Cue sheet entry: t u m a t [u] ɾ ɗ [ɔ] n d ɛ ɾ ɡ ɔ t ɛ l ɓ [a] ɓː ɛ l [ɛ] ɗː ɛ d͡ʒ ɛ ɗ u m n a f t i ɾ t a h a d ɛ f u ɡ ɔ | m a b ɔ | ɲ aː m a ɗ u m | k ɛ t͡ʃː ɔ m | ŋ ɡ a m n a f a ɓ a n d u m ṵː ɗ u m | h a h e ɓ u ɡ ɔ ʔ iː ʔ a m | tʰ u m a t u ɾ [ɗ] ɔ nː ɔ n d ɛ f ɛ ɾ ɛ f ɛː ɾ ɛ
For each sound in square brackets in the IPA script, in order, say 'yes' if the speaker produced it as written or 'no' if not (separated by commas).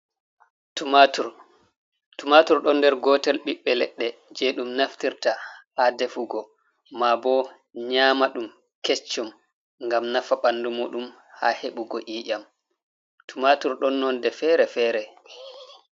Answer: yes, yes, no, yes, yes